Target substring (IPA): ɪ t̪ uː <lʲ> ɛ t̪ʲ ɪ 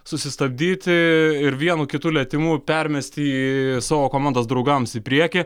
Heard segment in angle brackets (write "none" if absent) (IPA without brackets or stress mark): lʲ